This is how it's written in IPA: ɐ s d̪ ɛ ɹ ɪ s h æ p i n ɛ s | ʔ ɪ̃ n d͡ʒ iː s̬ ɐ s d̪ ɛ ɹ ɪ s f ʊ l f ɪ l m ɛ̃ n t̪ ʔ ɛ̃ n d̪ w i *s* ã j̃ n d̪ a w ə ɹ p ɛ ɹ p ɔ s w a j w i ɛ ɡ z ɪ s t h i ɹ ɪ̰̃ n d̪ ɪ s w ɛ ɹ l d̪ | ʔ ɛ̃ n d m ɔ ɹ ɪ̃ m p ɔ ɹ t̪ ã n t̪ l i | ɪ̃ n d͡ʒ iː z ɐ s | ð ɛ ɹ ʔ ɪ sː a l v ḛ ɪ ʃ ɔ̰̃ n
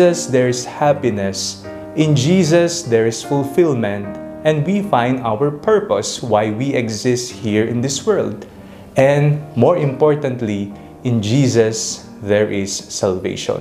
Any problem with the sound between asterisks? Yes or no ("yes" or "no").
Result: yes